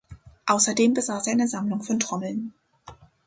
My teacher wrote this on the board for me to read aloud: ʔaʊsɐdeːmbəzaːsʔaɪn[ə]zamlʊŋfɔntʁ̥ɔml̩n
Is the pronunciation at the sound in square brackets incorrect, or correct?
correct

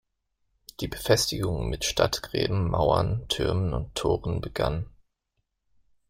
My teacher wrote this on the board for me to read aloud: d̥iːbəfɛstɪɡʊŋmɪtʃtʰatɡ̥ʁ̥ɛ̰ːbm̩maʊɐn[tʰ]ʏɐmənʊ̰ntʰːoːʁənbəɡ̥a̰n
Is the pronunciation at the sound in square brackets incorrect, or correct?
correct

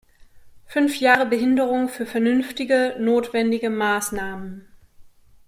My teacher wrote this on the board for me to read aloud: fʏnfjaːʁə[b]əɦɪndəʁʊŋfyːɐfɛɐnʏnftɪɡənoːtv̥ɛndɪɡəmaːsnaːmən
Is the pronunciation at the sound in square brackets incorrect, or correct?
correct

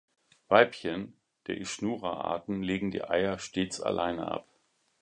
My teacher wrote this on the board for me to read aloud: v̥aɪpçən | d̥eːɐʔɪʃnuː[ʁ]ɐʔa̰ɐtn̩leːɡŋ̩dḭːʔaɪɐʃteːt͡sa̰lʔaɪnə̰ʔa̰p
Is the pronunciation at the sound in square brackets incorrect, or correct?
correct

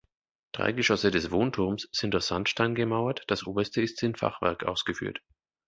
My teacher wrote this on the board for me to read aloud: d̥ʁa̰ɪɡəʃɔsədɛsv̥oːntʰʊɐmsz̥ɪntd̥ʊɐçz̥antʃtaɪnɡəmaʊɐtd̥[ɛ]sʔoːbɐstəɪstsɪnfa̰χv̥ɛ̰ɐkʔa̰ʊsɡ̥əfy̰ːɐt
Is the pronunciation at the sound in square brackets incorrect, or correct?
incorrect: a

